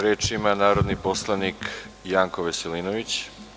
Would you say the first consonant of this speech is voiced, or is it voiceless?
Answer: voiced